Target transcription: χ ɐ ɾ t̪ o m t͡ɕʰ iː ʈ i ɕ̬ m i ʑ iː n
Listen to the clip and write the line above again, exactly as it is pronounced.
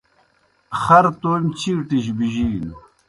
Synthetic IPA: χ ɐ ɾ t̪ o m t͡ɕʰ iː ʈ i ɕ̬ b i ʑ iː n